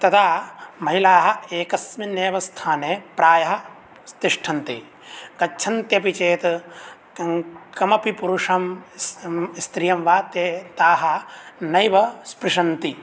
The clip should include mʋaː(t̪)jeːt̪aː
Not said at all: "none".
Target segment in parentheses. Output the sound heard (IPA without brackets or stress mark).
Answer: t̪